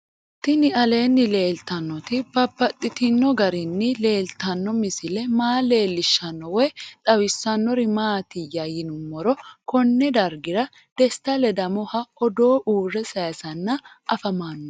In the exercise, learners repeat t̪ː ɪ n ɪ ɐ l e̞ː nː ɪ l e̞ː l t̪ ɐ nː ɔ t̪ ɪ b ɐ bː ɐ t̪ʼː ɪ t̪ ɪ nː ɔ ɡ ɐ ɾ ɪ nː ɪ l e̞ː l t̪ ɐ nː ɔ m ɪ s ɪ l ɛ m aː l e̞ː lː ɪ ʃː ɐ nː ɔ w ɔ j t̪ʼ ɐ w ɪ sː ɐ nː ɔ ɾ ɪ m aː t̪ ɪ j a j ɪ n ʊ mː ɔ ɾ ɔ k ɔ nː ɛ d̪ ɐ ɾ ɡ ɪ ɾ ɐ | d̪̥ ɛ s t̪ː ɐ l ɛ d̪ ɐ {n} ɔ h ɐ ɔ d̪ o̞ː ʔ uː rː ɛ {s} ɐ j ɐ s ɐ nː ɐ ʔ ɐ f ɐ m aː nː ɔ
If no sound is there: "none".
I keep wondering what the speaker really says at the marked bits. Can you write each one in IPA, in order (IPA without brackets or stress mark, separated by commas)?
m, s